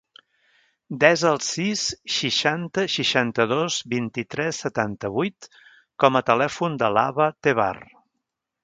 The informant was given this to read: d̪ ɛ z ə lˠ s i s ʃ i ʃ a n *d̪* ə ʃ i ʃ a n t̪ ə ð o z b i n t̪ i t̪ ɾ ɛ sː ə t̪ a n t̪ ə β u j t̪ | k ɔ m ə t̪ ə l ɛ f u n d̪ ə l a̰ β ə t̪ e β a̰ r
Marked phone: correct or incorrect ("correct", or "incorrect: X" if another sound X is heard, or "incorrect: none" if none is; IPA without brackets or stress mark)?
incorrect: t̪